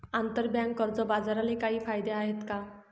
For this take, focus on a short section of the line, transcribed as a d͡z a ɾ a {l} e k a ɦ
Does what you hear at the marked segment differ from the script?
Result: no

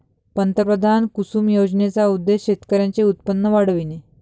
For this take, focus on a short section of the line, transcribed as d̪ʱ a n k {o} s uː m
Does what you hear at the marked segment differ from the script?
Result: yes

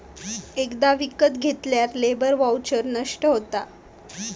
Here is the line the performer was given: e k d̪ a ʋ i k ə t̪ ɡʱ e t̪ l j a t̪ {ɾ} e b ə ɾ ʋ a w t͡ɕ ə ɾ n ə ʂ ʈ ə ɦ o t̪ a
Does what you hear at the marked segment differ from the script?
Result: yes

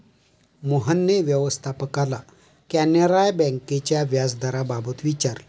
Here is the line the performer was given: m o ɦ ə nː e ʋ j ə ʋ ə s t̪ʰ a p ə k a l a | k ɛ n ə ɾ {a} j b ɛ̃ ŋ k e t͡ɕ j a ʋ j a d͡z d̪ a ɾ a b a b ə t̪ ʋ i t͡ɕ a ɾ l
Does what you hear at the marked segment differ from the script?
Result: no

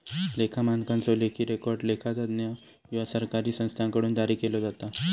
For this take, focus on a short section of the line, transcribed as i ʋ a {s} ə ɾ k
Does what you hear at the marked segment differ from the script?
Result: no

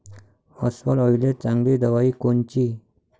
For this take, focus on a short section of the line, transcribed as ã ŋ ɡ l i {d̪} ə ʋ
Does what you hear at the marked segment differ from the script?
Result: no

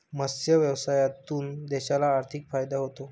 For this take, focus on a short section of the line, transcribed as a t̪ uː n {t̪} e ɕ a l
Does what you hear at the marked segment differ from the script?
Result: yes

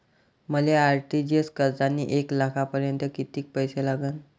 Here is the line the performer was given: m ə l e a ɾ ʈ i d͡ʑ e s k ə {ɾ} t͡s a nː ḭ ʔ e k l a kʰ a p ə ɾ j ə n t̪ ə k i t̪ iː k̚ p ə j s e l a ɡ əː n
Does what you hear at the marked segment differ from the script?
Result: no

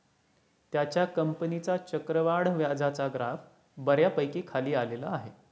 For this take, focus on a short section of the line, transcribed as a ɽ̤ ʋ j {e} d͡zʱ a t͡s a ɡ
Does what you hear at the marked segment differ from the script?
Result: yes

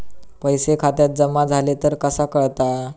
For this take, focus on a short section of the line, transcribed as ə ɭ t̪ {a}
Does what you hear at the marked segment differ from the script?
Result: no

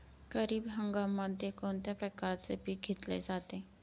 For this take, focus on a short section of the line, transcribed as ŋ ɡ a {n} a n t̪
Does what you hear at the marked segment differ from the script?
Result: yes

